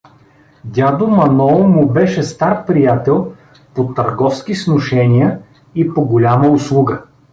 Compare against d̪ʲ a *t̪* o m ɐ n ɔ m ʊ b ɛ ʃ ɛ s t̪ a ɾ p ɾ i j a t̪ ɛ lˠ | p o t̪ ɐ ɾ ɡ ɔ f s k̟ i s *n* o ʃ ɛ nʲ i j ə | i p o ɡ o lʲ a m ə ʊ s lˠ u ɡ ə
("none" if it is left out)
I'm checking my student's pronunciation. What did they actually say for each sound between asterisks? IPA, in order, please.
d̪, n

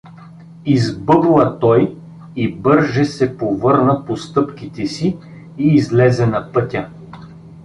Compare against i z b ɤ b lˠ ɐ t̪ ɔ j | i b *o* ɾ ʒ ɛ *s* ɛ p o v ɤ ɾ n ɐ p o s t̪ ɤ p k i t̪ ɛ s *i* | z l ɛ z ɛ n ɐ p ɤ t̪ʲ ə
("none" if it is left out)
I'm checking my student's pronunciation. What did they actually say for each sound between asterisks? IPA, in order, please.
ɤ, s, iː

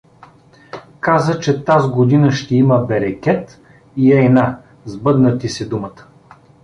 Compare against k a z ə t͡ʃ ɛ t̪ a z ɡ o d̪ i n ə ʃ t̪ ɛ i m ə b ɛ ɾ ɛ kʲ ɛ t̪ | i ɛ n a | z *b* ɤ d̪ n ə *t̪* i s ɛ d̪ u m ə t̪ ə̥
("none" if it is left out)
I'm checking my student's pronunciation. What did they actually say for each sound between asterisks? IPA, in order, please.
b, t̪

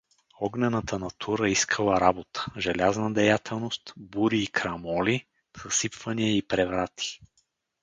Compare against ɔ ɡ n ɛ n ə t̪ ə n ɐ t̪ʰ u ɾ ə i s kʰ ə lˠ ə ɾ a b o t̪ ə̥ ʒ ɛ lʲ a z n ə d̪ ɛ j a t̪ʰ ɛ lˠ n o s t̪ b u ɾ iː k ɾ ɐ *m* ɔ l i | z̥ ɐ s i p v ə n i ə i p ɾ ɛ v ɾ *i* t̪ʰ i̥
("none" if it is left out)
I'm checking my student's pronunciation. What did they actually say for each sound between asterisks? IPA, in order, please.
m, a

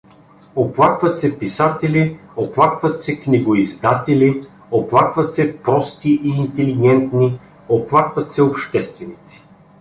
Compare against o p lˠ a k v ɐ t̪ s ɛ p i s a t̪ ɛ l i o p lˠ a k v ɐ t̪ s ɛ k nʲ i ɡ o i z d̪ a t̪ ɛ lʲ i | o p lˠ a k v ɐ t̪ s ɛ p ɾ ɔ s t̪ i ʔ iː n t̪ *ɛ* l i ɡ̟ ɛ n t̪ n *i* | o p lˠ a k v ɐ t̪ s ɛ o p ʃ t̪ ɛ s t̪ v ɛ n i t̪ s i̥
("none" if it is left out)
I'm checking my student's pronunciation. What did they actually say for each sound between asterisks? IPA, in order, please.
ɛ, i

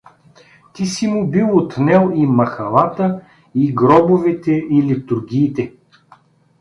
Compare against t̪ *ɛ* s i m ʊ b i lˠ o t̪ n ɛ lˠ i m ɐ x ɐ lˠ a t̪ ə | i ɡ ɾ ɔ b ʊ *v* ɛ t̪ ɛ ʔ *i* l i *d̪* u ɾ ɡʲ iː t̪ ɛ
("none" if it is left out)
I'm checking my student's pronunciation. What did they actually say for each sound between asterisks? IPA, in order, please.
i, v, i, t̪

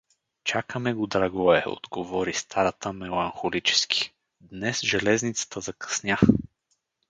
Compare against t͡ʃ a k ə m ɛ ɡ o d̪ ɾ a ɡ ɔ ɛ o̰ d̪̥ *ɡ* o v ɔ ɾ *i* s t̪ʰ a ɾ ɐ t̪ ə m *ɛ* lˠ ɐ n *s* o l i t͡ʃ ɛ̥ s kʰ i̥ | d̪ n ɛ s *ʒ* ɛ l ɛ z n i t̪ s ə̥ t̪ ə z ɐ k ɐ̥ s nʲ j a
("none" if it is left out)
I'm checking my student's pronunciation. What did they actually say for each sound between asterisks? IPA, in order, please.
ɡ, i, ɛ, x, ʒ

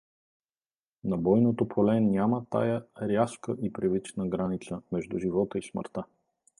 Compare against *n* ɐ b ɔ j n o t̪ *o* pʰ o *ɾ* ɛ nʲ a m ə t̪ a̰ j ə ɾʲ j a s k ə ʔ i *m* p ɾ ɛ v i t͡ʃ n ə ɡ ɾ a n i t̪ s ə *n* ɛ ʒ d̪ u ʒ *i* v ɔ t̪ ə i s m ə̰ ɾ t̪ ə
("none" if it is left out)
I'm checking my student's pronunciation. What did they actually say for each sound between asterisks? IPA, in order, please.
n, o, l, none, m, i

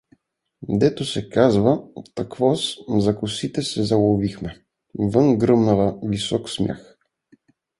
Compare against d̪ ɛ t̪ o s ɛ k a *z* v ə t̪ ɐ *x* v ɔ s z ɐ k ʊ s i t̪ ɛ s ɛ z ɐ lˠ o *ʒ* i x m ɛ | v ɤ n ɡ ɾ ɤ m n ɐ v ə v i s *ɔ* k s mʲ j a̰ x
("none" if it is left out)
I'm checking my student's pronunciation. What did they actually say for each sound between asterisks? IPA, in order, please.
z, k, v, ɔ

